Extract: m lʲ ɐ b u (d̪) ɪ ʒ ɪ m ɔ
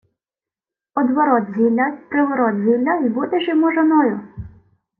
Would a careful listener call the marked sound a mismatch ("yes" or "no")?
yes